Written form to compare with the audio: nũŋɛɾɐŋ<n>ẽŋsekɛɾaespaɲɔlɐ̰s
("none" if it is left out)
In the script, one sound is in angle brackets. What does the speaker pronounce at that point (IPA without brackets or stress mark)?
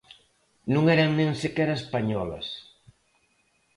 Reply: n